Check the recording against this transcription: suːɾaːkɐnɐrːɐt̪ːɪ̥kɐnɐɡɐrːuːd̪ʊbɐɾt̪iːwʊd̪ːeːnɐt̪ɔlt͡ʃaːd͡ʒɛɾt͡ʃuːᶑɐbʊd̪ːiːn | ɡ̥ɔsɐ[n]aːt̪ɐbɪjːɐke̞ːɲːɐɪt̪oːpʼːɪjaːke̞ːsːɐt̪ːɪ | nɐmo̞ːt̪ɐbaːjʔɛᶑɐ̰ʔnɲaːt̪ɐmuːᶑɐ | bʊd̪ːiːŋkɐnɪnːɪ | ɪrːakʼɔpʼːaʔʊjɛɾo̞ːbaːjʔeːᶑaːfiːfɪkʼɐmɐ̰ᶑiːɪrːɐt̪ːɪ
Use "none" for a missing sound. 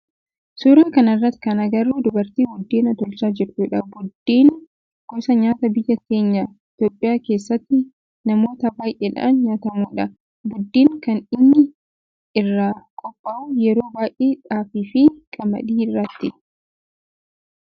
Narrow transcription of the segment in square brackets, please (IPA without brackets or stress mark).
ɲ